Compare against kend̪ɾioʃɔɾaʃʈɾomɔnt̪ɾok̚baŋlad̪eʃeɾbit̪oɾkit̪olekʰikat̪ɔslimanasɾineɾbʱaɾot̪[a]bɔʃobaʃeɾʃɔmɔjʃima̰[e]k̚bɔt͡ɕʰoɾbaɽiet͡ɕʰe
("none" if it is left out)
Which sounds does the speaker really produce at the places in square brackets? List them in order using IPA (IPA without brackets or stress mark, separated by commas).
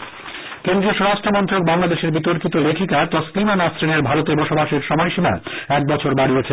e, ɛ